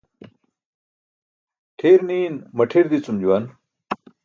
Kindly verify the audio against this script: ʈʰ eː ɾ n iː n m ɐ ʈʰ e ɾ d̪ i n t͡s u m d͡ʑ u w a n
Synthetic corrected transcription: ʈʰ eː ɾ n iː n m ɐ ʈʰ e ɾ d̪ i t͡s u m d͡ʑ u w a n